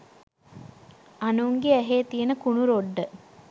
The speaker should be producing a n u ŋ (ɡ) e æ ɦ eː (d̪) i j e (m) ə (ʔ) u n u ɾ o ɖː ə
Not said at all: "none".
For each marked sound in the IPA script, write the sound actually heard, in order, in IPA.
ɡ, t̪, n, k

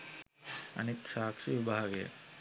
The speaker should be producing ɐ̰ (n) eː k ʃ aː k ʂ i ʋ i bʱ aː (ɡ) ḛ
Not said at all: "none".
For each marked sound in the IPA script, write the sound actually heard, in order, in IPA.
n, ɡ

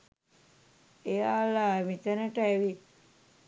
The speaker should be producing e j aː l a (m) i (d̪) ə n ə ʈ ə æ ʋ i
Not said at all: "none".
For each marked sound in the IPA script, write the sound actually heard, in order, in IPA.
m, t̪

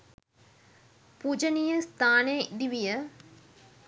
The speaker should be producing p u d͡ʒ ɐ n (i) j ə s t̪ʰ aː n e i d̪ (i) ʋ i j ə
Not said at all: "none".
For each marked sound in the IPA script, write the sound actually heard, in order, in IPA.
i, i

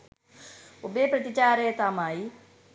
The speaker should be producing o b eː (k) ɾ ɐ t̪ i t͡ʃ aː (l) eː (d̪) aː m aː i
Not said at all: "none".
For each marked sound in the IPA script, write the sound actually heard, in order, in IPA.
p, ɾ, t̪

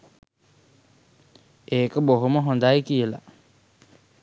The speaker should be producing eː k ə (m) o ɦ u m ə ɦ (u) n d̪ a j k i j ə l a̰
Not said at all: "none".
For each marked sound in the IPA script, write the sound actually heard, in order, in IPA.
b, o

